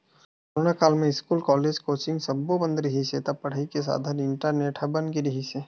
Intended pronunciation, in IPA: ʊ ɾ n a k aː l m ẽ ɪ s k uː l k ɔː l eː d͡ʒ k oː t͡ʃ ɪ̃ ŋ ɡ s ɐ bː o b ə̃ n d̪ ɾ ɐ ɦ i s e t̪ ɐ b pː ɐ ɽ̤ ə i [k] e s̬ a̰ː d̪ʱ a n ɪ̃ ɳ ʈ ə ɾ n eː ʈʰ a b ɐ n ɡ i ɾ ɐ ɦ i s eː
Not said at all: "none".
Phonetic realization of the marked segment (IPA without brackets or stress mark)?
k